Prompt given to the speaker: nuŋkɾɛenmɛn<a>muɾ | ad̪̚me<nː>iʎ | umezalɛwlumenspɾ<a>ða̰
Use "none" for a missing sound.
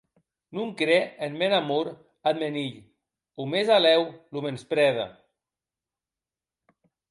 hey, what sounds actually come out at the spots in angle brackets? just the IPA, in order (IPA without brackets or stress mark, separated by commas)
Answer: a, n, ɛ